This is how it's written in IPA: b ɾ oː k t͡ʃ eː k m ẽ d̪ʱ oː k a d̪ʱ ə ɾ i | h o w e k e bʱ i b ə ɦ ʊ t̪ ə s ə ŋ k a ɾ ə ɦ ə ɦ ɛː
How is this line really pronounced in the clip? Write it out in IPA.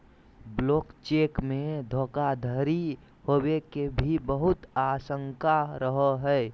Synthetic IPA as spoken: b l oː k t͡ʃ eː k m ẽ d̪ʱ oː k a d̪ʱ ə ɾ i | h o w e k e bʱ i b ə ɦ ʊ t̪ a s ə ŋ k a ɾ ə ɦ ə ɦ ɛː

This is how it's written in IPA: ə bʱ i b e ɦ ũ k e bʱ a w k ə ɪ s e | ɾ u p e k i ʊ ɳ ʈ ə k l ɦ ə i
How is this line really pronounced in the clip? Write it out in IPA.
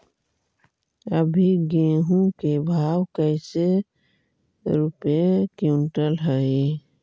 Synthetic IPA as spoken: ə bʱ i ɡ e ɦ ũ k e bʱ a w k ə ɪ s e | ɾ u p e k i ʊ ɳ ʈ ə l ɦ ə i

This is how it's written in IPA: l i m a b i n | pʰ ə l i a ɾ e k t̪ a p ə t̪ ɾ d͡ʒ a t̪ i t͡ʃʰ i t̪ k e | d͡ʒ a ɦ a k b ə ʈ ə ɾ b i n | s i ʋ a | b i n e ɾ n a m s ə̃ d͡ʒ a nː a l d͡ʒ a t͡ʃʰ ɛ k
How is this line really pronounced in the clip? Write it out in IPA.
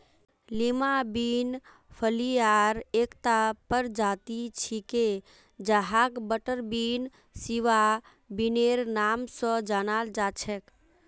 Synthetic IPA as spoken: l i m a b i n | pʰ ə l i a ɾ e k t̪ a p ə ɾ d͡ʒ a t̪ i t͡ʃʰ i k e | d͡ʒ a ɦ a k b ə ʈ ə ɾ b i n | s i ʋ a | b i n e ɾ n a m s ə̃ d͡ʒ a n a l d͡ʒ a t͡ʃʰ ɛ k

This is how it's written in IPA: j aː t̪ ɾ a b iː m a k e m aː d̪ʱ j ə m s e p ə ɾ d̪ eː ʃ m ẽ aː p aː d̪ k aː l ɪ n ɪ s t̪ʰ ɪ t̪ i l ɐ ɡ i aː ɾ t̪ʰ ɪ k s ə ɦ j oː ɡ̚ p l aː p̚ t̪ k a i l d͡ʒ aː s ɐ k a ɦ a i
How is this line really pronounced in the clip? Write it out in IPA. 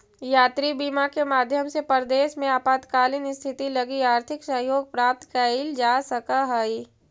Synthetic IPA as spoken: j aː t̪ ɾ i b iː m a k e m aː d̪ʱ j ə m s e p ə ɾ d̪ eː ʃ m ẽ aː p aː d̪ k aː l ɪ n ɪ s t̪ʰ ɪ t̪ i l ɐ ɡ i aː ɾ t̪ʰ ɪ k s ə ɦ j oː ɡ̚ p ɾ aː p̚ t̪ k a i l d͡ʒ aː s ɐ k a ɦ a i

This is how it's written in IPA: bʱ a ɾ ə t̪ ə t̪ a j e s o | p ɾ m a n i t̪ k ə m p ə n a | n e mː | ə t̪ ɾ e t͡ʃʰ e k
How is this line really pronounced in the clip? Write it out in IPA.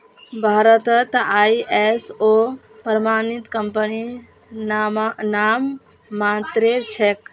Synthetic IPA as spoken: bʱ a ɾ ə t̪ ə t̪ a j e s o | p ɾ m a n i t̪ k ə m p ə n i | n a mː | a t̪ ɾ e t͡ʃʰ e k

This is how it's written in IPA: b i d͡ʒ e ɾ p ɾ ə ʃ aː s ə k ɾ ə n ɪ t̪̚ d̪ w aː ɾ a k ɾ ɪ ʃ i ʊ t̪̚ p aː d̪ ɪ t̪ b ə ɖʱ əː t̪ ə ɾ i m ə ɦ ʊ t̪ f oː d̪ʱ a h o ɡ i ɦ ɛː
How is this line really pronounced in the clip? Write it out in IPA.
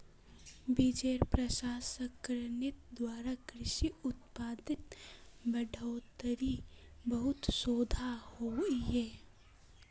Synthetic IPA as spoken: b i d͡ʒ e ɾ p ɾ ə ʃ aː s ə k ɾ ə n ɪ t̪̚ d̪ w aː ɾ a k ɾ ɪ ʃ i ʊ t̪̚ p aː d̪ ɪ t̪ b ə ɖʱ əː t̪ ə ɾ i b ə ɦ ʊ t̪ s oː d̪ʱ a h o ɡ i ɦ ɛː

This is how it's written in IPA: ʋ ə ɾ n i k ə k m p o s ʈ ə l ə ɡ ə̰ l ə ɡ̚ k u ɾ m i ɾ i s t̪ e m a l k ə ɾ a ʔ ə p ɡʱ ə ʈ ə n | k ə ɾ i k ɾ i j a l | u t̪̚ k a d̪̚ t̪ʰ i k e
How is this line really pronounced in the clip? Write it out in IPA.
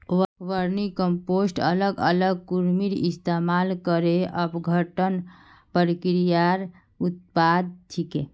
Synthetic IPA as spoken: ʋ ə ɾ n i k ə m p o s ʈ ə l ə ɡ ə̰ l ə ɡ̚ k u ɾ m i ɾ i s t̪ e m a l k ə ɾ e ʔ ə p ɡʱ ə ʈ ə n | p ə ɾ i k ɾ i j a ɾ | u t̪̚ p a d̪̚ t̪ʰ i k e

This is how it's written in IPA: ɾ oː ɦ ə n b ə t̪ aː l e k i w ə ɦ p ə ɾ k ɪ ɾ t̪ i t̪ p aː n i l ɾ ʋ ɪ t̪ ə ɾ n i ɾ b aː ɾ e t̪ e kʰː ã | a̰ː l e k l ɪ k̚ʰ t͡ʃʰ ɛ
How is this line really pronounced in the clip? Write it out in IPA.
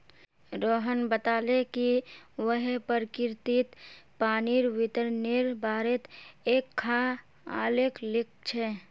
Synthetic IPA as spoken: ɾ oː ɦ ə n b ə t̪ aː l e k i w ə ɦ p ə ɾ k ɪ ɾ t̪ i t̪ p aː n i ɾ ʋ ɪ t̪ ə ɾ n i ɾ b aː ɾ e t̪ e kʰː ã | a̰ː l e k l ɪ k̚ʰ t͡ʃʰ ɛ

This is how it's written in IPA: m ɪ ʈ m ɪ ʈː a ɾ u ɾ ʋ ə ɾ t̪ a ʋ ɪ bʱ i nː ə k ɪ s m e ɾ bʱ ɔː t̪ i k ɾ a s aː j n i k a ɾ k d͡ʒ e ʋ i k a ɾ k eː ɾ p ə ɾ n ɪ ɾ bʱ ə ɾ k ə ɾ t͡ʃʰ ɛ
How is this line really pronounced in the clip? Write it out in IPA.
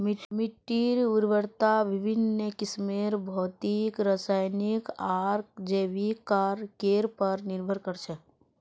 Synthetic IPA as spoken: m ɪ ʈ m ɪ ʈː i ɾ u ɾ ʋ ə ɾ t̪ a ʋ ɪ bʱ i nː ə k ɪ s m e ɾ bʱ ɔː t̪ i k ɾ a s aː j n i k a ɾ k d͡ʒ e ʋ i k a ɾ k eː ɾ p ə ɾ n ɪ ɾ bʱ ə ɾ k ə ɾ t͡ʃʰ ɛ

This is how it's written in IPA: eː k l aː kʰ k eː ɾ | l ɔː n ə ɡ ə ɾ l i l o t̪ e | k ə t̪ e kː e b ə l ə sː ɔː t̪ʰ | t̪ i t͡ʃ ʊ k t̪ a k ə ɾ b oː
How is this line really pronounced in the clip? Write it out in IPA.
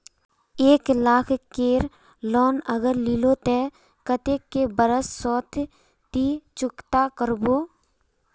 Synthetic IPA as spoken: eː k l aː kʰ k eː ɾ | l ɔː n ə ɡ ə ɾ l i l o t̪ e | k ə t̪ e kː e b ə ɾ ə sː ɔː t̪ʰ | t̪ i t͡ʃ ʊ k t̪ a k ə ɾ b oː

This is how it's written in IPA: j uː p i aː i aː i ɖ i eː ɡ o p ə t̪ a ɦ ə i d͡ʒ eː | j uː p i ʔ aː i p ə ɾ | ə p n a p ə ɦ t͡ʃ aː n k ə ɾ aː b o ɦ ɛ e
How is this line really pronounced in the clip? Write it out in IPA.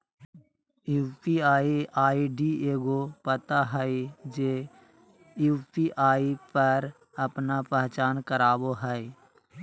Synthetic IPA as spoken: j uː p i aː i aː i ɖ i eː ɡ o p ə t̪ a ɦ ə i d͡ʒ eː | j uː p i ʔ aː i p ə ɾ | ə p n a p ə ɦ t͡ʃ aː n k ə ɾ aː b o ɦ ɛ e

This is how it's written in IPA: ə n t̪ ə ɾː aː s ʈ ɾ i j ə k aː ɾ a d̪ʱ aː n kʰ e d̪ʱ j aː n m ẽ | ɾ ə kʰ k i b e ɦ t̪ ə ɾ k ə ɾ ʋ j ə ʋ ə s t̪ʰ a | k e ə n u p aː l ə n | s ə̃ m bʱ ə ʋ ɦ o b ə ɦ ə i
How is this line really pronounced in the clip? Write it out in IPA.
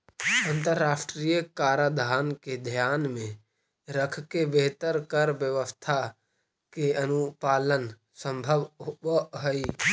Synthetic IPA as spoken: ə n t̪ ə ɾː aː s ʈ ɾ i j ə k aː ɾ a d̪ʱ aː n k e d̪ʱ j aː n m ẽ | ɾ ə kʰ k e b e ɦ t̪ ə ɾ k ə ɾ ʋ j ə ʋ ə s t̪ʰ a | k e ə n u p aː l ə n | s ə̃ m bʱ ə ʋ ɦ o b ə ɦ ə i

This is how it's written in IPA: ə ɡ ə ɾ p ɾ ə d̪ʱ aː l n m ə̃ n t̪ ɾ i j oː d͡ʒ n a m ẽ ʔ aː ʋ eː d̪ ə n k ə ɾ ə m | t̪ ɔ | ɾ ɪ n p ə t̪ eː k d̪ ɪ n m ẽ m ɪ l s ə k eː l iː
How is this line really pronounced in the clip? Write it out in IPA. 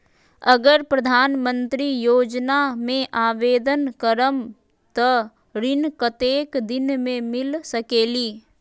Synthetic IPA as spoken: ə ɡ ə ɾ p ɾ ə d̪ʱ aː n m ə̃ n t̪ ɾ i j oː d͡ʒ n a m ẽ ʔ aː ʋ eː d̪ ə n k ə ɾ ə m | t̪ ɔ | ɾ ɪ n k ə t̪ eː k d̪ ɪ n m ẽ m ɪ l s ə k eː l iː

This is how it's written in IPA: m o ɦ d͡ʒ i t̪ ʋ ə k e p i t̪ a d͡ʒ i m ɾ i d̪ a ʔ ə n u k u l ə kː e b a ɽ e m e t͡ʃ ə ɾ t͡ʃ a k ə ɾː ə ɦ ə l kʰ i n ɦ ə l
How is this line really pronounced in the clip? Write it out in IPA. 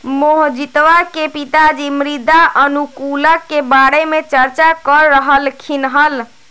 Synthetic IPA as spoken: m o ɦ d͡ʒ i t̪ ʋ a k e p i t̪ a d͡ʒ i m ɾ i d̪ a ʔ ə n u k u l ə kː e b a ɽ e m e t͡ʃ ə ɾ t͡ʃ a k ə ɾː ə ɦ ə l kʰ i n ɦ ə l

